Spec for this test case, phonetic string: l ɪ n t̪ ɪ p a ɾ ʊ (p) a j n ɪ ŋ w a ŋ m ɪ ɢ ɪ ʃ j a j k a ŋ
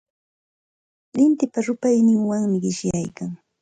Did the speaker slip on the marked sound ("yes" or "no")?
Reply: no